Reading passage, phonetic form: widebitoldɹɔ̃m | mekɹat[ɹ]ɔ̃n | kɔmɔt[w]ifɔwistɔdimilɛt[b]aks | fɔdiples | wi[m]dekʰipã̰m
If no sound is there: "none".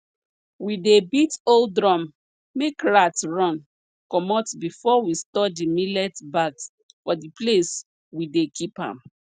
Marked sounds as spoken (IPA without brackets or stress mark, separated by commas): ɹ, b, b, none